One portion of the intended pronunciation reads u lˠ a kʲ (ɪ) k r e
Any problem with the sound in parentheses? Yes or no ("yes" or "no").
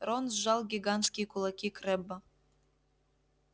yes